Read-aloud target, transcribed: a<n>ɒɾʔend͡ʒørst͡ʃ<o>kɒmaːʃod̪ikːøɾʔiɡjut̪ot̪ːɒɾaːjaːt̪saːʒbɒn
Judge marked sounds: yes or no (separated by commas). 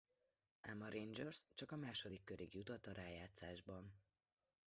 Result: no, no